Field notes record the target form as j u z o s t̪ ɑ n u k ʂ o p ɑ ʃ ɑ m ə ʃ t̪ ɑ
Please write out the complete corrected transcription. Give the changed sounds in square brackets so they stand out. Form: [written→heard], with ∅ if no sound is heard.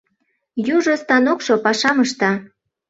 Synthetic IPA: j u [z→ʒ] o s t̪ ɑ n [u→o] k [ʂ→ʃ] o p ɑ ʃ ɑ m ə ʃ t̪ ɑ

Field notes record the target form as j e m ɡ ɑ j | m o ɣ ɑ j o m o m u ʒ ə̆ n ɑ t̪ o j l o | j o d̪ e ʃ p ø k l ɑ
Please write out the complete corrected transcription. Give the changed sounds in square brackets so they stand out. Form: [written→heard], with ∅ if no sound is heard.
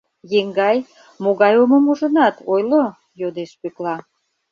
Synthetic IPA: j e [m→ŋ] ɡ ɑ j | m o ɣ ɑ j o m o m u ʒ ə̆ n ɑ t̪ o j l o | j o d̪ e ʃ p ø k l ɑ

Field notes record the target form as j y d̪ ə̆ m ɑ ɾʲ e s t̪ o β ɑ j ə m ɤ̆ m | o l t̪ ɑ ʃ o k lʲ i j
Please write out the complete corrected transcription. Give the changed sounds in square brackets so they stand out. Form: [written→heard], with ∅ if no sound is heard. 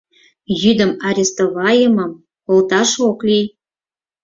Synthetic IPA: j y d̪ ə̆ m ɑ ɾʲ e s t̪ o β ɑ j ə m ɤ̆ m | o l t̪ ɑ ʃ o k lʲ i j

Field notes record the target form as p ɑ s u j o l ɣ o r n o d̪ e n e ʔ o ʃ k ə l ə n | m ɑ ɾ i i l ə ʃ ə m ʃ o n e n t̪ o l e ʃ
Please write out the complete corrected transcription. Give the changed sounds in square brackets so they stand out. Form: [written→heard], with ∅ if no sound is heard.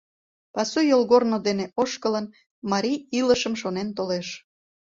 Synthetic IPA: p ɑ s u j o l ɣ o r n o d̪ e n e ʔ o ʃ k ə l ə n | m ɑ ɾ i i l ə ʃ ə m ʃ o n e n t̪ o l e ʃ

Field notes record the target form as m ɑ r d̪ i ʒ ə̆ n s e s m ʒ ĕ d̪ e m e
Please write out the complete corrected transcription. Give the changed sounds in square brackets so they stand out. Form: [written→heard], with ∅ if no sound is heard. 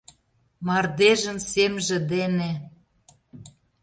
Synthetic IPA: m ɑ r d̪ [i→e] ʒ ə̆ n s e [s→∅] m ʒ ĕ d̪ e [m→n] e

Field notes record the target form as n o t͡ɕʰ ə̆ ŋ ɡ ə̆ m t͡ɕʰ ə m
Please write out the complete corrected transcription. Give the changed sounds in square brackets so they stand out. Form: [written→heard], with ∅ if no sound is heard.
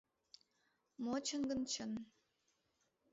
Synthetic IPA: [n→m] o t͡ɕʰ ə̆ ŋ ɡ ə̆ [m→n] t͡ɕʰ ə [m→n]

